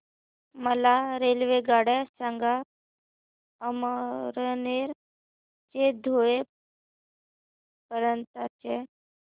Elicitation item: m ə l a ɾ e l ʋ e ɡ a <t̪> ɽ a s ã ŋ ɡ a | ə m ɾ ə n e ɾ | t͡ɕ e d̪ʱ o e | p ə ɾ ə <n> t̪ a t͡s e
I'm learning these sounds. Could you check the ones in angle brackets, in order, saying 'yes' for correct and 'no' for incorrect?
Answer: no, yes

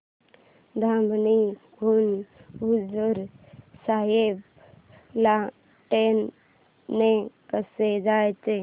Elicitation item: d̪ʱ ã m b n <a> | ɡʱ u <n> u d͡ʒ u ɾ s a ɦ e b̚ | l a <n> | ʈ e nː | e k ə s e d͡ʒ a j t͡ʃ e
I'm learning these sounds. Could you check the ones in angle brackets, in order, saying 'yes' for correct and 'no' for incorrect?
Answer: no, yes, no

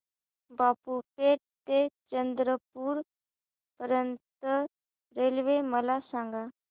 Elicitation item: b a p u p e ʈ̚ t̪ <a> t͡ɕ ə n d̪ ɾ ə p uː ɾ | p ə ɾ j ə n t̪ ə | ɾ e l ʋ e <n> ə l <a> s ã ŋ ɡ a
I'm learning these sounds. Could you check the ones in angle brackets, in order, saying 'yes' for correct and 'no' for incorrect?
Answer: no, no, yes

